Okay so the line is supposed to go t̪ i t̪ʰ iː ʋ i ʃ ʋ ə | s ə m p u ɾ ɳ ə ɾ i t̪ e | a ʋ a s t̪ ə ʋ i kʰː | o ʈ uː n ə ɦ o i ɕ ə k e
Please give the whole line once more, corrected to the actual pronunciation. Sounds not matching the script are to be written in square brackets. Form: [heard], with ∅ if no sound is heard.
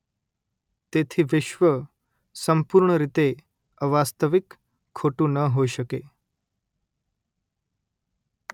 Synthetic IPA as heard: t̪ [e] t̪ʰ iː ʋ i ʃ ʋ ə | s ə m p u ɾ ɳ ə ɾ i t̪ e | [ə] ʋ a s t̪ ə ʋ i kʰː | o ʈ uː n ə ɦ o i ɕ ə k e